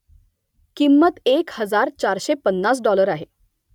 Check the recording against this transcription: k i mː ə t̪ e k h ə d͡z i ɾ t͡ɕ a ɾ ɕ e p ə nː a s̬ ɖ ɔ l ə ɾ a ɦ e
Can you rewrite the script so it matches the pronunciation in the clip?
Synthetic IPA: k i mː ə t̪ e k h ə d͡z a ɾ t͡ɕ a ɾ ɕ e p ə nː a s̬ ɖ ɔ l ə ɾ a ɦ e